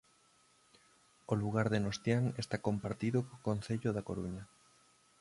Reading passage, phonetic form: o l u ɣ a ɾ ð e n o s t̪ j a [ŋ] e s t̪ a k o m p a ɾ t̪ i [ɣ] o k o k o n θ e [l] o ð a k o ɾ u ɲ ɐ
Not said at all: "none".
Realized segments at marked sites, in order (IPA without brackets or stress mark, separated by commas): ŋ, ð, ʎ